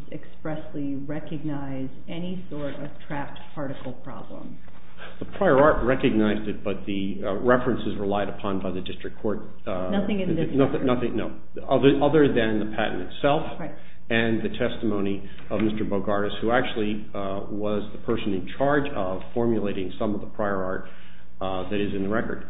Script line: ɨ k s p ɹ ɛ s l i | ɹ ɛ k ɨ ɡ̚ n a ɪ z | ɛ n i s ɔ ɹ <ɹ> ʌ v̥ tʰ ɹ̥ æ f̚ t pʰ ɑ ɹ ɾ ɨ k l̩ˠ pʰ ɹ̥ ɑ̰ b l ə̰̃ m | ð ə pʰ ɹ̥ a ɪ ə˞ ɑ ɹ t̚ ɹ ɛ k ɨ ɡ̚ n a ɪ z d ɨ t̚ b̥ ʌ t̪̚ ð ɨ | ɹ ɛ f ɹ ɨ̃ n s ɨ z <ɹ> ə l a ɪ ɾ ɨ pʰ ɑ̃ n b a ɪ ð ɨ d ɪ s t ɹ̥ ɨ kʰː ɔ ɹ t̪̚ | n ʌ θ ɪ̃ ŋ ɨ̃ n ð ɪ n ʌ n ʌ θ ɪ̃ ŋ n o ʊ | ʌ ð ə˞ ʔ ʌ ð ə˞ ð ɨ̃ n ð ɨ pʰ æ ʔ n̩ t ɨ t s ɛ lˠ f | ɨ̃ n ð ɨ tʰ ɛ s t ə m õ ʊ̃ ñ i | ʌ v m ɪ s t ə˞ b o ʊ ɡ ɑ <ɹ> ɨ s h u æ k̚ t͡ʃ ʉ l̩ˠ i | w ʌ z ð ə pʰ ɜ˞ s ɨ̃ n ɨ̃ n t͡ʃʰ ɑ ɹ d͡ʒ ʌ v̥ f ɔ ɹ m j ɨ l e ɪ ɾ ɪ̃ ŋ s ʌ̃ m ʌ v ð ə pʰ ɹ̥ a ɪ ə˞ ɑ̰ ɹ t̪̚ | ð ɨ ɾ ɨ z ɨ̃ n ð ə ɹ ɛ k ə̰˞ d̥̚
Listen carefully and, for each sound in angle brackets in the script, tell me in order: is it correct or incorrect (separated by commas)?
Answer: incorrect, correct, correct